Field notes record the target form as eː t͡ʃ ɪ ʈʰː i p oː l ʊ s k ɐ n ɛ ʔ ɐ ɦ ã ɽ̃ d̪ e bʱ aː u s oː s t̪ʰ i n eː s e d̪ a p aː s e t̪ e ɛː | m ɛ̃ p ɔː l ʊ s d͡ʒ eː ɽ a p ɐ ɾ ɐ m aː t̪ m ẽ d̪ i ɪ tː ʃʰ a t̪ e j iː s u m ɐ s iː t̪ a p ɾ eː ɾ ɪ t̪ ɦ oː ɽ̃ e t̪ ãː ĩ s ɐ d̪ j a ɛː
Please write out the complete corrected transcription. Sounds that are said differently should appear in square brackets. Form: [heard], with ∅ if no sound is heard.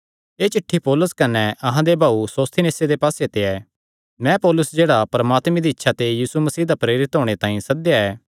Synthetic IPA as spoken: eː t͡ʃ ɪ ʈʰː i p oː l ʊ s k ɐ n ɛ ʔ ɐ ɦ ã [∅] d̪ e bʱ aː u s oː s t̪ʰ i n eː s e d̪ [e] p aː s e t̪ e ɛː | m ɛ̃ p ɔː l ʊ s d͡ʒ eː ɽ a p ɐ ɾ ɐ m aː t̪ m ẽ d̪ i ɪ tː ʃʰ a t̪ e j iː s u m ɐ s iː [d̪] a p ɾ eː ɾ ɪ t̪ ɦ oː ɽ̃ e t̪ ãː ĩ s ɐ d̪ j a ɛː